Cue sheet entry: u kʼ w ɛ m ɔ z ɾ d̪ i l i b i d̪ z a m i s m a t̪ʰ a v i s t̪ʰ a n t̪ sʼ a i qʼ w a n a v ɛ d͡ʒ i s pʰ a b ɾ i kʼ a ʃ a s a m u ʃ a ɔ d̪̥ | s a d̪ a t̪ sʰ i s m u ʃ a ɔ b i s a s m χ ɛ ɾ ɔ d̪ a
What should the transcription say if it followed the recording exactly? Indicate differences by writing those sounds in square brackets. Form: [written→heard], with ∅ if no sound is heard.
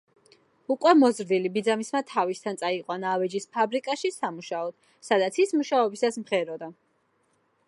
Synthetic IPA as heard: u kʼ w ɛ m ɔ z ɾ d̪ i l i b i d̪ z a m i s m a t̪ʰ a v i s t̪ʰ a n t̪ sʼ a i qʼ w a n a v ɛ d͡ʒ i s pʰ a b ɾ i kʼ a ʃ [a→i] s a m u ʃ a ɔ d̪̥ | s a d̪ a t̪ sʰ i s m u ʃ a ɔ b i s a s m χ ɛ ɾ ɔ d̪ a

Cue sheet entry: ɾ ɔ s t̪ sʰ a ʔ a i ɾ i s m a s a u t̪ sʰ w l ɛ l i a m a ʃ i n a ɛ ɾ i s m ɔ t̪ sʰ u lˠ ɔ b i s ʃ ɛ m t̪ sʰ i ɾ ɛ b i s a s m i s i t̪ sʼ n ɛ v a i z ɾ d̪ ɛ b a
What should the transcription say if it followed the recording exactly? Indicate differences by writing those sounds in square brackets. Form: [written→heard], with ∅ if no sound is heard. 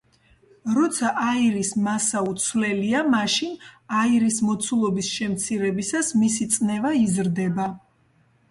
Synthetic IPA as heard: ɾ ɔ [s→∅] t̪ sʰ a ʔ a i ɾ i s m a s a u t̪ sʰ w l ɛ l i a m a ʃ i n a [ɛ→i] ɾ i s m ɔ t̪ sʰ u lˠ ɔ b i s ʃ ɛ m t̪ sʰ i ɾ ɛ b i s a s m i s i t̪ sʼ n ɛ v a i z ɾ d̪ ɛ b a

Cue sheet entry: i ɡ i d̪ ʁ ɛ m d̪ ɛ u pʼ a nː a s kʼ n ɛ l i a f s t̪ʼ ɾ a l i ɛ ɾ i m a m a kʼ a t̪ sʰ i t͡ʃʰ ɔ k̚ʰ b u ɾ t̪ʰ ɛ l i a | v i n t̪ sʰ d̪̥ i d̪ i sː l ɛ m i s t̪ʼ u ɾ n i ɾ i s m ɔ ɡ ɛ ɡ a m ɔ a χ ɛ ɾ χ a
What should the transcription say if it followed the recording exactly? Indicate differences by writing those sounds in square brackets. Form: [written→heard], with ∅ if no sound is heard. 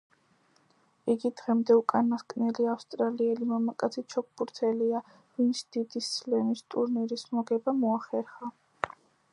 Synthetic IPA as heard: i ɡ i d̪ ʁ ɛ m d̪ ɛ u [pʼ→kʼ] a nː a s kʼ n ɛ l i a f s t̪ʼ ɾ a l i ɛ [ɾ→l] i m a m a kʼ a t̪ sʰ i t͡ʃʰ ɔ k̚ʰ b u ɾ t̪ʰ ɛ l i a | v i n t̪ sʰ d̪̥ i d̪ i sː l ɛ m i s t̪ʼ u ɾ n i ɾ i s m ɔ ɡ ɛ [ɡ→b] a m ɔ a χ ɛ ɾ χ a

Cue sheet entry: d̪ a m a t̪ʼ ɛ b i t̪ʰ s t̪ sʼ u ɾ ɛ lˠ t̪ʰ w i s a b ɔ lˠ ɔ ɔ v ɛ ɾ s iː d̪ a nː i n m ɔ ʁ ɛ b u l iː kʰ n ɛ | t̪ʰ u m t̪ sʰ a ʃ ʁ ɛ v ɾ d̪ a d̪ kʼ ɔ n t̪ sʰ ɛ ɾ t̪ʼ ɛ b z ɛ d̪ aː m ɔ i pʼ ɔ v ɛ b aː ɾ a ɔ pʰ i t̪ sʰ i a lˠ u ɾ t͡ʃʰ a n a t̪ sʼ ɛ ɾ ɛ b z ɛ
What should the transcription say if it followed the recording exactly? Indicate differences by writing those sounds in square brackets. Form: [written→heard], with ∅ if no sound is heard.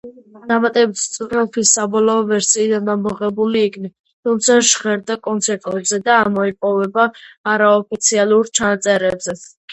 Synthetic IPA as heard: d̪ a m a t̪ʼ ɛ b i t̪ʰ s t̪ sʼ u ɾ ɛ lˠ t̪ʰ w i s a b ɔ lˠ ɔ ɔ v ɛ ɾ s iː d̪ a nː [i→a] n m ɔ ʁ ɛ b u l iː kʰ n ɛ | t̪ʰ u m t̪ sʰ a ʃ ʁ ɛ [v→∅] ɾ d̪ a [d̪→∅] kʼ ɔ n t̪ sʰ ɛ ɾ t̪ʼ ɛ b z ɛ d̪ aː m ɔ i pʼ ɔ v ɛ b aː ɾ a ɔ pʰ i t̪ sʰ i a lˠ u ɾ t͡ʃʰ a n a t̪ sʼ ɛ ɾ ɛ b z ɛ

